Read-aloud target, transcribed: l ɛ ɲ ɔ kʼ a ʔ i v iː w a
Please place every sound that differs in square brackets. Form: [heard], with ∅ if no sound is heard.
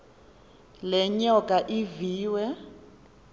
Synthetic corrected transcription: l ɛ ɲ ɔ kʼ a ʔ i v iː w [ɛ]